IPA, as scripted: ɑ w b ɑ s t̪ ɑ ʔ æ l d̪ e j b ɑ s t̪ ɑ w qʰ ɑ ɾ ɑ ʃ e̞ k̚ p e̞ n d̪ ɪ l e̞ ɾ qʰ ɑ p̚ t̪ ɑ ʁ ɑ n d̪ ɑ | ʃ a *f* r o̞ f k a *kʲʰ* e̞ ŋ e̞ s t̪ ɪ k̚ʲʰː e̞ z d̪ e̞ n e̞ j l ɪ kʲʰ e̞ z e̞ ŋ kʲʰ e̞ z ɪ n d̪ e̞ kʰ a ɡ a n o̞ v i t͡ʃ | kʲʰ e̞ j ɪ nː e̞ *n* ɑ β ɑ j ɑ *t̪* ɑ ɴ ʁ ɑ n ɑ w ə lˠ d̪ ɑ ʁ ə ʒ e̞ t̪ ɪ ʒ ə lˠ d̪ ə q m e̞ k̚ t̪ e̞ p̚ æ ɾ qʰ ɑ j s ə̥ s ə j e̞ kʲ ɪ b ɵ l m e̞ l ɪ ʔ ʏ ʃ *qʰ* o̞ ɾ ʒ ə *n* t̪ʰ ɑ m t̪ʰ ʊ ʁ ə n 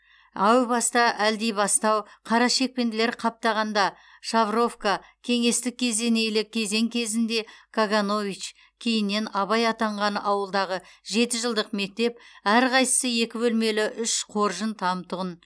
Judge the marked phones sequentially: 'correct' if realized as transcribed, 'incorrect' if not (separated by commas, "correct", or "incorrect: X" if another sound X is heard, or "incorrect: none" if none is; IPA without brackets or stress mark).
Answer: incorrect: v, correct, correct, correct, correct, correct